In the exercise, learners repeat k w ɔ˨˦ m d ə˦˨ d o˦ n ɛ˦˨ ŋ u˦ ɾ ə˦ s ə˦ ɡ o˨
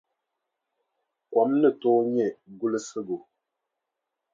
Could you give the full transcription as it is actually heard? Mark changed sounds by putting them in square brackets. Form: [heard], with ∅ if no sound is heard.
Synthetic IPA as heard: k w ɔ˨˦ m [n] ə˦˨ [t] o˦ [ɲ] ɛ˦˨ [ɡ] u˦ [l] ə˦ s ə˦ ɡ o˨